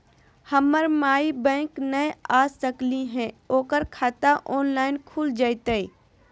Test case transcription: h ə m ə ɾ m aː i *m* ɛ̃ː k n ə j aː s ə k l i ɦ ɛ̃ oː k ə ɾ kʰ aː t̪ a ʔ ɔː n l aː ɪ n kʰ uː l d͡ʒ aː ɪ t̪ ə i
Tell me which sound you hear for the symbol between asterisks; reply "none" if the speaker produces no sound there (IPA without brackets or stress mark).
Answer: b